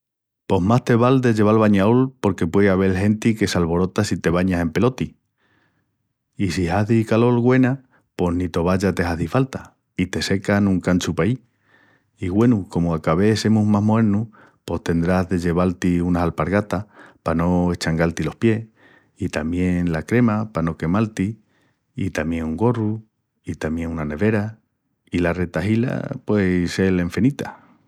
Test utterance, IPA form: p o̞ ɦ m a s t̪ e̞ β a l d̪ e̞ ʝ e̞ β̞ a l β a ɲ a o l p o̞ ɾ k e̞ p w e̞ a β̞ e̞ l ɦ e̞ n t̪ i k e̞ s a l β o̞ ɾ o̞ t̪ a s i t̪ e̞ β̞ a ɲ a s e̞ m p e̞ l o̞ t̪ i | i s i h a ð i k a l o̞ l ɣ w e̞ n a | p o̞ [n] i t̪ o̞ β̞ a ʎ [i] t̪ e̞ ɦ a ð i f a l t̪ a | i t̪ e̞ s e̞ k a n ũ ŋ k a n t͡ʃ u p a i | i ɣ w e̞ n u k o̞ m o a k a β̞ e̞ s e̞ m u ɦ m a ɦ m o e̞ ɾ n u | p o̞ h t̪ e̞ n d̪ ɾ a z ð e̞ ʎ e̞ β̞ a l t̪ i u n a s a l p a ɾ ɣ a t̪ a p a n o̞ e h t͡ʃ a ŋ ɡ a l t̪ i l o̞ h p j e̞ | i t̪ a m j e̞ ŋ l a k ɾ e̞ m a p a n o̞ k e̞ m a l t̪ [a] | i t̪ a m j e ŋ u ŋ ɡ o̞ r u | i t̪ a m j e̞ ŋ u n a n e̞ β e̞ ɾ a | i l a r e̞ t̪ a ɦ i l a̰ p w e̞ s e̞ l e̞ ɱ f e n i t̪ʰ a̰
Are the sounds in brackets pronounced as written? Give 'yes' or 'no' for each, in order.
yes, no, no

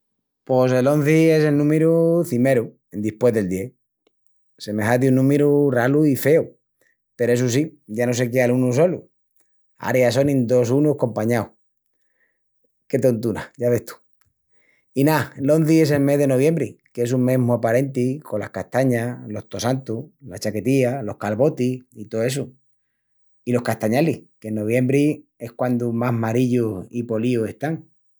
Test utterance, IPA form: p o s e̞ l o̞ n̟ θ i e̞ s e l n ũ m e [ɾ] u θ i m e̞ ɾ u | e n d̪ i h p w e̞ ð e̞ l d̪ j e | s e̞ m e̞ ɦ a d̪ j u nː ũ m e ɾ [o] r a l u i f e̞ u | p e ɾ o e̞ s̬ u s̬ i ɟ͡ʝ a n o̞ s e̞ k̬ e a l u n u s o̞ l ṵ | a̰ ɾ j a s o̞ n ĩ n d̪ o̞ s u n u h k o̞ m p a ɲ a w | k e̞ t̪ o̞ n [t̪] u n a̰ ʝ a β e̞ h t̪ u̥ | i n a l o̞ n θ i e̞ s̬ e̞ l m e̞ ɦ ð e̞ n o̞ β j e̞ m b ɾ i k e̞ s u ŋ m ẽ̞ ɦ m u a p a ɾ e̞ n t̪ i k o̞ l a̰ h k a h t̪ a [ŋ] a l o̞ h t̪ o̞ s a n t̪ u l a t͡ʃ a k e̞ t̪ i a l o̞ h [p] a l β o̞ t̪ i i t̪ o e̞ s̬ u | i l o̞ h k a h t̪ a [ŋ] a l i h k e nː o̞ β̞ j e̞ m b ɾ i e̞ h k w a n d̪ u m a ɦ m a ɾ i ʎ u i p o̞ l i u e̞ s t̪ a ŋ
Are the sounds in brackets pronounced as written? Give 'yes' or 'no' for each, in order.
yes, no, yes, no, no, no

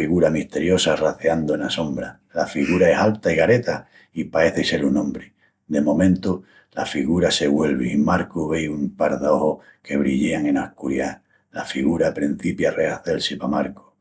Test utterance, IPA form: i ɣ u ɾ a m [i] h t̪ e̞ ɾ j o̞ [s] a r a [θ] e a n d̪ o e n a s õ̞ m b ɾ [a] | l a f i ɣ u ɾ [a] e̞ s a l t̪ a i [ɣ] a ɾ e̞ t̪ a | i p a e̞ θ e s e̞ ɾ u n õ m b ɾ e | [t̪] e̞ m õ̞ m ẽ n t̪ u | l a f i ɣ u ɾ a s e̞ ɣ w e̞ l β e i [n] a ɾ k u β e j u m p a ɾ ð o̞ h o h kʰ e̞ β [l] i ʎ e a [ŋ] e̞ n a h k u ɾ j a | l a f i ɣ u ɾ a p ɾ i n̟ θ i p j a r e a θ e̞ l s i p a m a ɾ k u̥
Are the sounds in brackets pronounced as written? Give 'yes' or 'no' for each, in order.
yes, yes, yes, yes, yes, yes, no, no, no, yes

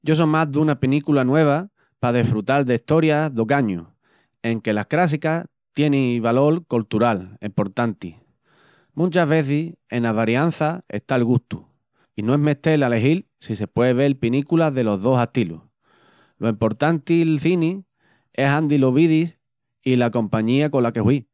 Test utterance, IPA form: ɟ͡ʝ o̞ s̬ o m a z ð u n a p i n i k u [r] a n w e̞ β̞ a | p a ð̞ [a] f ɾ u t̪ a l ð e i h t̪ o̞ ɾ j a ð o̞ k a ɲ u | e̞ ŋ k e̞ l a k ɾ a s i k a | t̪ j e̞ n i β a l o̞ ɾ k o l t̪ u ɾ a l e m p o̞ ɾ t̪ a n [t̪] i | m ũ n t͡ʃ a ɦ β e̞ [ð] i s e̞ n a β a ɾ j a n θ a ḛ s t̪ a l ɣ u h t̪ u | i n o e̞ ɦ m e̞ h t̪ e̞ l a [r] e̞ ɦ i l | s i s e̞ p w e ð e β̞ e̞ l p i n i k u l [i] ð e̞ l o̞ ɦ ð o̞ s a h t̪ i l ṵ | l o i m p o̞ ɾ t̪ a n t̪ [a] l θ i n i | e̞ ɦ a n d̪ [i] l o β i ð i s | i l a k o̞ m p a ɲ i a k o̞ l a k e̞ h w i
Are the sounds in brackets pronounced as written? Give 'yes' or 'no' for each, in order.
no, no, yes, no, no, no, no, yes

